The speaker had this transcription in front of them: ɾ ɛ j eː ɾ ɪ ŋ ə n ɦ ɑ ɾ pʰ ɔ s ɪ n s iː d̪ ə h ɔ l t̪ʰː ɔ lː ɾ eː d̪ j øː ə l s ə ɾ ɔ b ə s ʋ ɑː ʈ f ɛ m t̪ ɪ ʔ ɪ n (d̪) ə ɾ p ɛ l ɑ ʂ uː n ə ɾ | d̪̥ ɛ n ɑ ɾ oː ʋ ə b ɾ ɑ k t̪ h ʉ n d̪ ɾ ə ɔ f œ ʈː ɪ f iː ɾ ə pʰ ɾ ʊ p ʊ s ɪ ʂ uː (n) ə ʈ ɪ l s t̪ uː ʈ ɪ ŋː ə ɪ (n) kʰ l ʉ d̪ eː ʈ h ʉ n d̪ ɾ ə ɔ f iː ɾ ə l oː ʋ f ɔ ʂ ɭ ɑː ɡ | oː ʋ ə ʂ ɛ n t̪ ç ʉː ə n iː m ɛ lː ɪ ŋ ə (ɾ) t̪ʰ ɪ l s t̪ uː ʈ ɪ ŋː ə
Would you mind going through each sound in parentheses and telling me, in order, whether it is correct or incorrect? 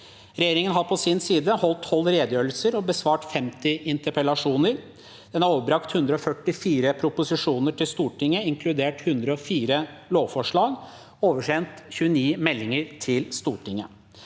incorrect: t̪, correct, incorrect: ŋ, correct

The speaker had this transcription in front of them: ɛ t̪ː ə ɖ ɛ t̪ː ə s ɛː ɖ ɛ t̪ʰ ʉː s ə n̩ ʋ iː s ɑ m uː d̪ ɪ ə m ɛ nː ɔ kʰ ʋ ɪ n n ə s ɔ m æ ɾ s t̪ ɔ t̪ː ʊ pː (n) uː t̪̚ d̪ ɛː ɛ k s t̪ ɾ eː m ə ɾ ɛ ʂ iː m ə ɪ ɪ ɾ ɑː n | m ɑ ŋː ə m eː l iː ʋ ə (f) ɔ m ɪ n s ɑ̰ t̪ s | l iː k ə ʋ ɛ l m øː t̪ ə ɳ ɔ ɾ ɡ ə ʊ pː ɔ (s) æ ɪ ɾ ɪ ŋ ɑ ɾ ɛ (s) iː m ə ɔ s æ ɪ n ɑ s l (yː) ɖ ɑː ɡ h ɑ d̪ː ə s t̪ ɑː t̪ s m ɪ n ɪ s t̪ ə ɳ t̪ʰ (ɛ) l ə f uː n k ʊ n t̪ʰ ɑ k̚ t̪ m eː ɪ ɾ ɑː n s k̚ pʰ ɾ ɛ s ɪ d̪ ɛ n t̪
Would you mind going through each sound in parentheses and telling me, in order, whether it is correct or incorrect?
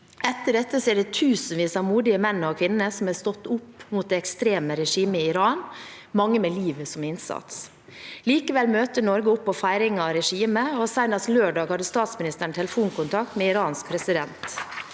incorrect: m, incorrect: s, incorrect: f, incorrect: ʂ, incorrect: øː, correct

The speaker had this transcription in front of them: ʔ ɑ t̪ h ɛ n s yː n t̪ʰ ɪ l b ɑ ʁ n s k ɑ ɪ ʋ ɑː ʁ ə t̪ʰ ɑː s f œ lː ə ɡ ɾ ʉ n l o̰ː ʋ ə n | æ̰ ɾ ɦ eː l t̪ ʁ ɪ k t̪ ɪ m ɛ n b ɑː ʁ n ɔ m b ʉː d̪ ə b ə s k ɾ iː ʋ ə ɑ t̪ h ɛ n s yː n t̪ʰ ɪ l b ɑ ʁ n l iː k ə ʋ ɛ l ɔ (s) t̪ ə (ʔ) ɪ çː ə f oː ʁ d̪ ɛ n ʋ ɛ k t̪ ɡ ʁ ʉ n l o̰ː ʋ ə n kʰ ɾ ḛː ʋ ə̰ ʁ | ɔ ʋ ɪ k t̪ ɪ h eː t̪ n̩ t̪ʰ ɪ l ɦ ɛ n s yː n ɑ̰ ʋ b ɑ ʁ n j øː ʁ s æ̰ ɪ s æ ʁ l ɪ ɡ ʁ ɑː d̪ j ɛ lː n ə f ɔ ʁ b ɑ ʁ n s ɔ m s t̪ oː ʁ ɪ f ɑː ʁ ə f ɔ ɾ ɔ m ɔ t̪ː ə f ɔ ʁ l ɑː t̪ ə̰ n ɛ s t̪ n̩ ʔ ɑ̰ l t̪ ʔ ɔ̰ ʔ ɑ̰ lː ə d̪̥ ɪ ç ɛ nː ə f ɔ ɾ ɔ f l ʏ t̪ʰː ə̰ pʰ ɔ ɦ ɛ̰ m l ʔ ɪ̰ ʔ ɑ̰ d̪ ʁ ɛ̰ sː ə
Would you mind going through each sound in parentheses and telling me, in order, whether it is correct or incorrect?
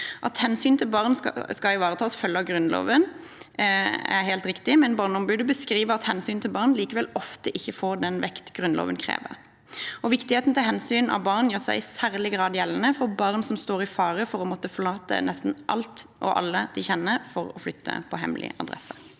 incorrect: f, correct

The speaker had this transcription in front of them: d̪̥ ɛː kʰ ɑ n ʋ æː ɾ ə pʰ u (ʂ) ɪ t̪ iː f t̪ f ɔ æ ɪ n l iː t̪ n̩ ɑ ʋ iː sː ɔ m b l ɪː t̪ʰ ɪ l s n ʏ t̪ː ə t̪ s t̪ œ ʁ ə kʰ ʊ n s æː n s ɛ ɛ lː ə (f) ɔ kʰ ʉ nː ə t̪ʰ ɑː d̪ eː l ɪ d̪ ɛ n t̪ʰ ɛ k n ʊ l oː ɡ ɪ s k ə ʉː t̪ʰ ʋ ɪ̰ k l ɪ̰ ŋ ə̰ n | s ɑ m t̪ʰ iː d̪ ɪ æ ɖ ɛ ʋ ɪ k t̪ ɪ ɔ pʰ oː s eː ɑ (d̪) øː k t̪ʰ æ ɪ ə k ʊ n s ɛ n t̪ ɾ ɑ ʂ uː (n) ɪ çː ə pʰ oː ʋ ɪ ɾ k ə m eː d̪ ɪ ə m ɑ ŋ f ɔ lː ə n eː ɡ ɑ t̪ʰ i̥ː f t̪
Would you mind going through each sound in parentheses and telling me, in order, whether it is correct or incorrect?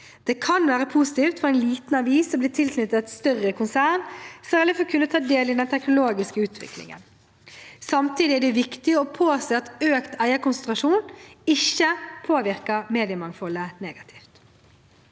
incorrect: s, correct, incorrect: t̪, correct

